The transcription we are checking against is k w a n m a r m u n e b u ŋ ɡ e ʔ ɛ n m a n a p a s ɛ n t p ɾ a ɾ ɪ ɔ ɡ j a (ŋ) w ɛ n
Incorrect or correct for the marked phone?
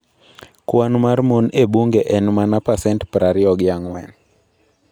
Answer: correct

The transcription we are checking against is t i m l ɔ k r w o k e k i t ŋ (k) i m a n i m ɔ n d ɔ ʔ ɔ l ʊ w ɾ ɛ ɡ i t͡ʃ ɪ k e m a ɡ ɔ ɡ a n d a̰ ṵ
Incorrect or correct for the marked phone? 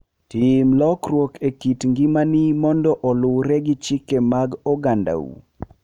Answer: incorrect: ɡ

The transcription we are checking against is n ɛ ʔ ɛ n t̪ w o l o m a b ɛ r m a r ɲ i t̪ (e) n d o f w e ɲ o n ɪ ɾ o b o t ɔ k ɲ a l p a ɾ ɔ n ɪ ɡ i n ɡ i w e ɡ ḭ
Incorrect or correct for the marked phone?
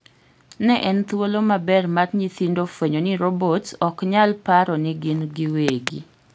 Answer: incorrect: i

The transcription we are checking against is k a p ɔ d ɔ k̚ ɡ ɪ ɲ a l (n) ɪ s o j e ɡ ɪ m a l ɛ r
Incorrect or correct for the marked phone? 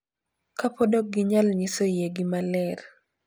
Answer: incorrect: ɲ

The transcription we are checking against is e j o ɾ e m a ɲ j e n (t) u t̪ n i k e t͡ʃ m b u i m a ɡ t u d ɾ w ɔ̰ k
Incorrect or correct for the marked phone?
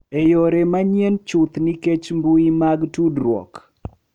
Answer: incorrect: t͡ʃ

